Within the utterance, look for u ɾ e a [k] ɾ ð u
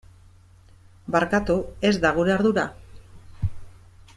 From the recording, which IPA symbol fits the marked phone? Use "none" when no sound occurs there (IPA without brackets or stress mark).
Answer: none